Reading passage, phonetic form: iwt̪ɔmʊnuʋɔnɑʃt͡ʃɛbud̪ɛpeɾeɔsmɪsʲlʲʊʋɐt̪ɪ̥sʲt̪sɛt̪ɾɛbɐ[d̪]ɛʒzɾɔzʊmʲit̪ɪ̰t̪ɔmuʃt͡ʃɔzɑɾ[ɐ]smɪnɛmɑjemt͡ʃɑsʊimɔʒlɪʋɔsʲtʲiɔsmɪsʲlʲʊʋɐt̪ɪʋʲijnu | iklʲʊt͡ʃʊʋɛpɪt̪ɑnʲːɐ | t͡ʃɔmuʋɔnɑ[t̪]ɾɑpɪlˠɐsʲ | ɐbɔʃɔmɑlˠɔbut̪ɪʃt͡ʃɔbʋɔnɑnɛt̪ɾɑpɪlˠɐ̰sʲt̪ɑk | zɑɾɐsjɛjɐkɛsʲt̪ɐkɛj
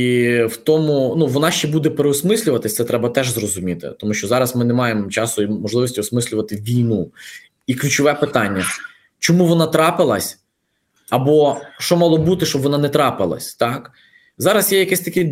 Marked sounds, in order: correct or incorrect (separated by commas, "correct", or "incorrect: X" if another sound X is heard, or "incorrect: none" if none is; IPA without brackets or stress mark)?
incorrect: t̪, correct, correct